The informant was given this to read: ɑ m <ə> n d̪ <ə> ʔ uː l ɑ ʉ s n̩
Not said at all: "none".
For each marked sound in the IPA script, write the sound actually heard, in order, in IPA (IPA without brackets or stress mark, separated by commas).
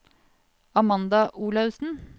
ɑ, ɑ